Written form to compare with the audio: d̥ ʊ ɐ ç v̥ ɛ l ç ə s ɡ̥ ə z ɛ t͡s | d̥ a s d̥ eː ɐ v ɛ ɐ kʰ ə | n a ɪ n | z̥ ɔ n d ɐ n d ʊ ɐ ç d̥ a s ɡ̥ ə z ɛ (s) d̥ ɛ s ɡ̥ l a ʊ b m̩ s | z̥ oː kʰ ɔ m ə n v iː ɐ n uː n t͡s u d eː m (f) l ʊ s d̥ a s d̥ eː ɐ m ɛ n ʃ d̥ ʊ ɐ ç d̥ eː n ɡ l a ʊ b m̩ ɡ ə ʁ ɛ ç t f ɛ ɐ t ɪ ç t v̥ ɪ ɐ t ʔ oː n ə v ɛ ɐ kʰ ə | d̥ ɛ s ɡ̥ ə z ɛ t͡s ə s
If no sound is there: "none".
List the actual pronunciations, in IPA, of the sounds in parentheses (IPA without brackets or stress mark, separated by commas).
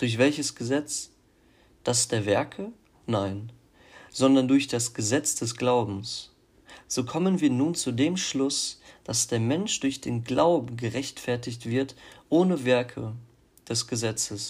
t͡s, ʃ